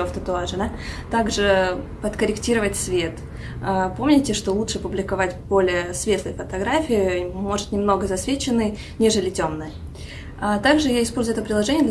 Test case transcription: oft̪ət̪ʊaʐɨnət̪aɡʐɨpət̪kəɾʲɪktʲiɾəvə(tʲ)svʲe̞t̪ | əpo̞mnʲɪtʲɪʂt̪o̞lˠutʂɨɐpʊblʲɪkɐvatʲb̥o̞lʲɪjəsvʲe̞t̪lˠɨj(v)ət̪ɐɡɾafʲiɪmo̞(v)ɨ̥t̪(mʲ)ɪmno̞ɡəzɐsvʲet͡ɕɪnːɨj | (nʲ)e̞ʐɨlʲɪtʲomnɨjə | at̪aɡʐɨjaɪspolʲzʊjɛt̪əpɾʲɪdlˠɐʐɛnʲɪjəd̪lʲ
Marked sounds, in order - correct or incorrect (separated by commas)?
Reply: correct, incorrect, incorrect, incorrect, correct